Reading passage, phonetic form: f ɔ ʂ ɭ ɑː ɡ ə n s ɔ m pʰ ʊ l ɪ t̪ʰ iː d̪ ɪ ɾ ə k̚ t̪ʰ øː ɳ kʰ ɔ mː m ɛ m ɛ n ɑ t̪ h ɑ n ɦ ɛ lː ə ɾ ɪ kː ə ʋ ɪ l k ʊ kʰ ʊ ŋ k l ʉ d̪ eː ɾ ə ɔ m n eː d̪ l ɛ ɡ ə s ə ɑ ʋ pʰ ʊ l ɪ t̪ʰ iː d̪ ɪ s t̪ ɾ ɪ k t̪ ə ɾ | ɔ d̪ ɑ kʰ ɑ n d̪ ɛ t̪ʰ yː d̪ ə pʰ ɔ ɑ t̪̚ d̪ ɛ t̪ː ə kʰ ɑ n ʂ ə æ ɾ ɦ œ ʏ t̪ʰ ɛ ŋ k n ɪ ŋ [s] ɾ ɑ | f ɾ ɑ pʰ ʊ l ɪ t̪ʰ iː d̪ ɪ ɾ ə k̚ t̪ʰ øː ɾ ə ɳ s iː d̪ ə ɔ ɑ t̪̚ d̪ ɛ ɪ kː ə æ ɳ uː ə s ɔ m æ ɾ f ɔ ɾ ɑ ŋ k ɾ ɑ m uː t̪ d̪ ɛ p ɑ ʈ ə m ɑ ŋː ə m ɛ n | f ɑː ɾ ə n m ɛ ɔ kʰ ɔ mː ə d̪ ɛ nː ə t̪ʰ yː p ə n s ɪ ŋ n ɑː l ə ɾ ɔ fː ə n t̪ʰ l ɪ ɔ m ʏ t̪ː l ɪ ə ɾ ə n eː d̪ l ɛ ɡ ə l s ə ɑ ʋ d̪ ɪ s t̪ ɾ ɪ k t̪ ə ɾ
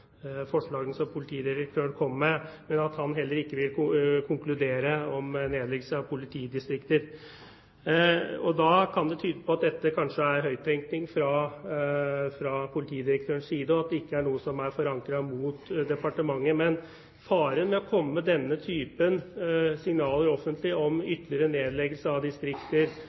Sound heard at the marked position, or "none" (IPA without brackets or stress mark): f